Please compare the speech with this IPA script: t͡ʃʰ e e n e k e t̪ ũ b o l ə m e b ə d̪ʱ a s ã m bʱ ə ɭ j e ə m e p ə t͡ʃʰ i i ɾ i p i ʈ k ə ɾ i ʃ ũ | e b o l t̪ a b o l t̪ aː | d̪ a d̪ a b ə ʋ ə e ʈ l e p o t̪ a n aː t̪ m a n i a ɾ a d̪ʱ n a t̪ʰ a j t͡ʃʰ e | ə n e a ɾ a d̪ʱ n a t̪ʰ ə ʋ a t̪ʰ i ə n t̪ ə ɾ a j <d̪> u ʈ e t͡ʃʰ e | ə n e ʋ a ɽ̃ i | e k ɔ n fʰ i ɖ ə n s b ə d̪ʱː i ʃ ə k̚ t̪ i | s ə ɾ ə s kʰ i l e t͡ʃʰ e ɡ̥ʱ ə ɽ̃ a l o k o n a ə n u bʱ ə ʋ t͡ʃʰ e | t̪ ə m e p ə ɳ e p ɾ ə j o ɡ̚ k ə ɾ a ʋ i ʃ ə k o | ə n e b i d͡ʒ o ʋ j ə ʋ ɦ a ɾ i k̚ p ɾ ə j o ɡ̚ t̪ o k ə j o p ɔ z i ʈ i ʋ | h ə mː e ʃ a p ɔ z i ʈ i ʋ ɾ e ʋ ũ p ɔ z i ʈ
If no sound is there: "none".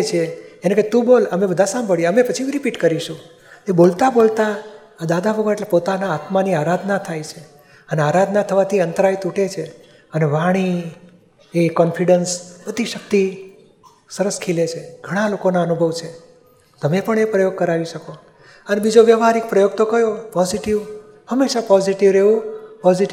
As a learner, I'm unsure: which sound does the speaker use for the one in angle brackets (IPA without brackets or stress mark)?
t̪